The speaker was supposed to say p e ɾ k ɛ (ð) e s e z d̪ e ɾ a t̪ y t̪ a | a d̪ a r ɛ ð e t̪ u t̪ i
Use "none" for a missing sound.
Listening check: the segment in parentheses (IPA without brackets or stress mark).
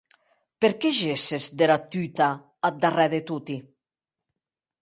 ʒ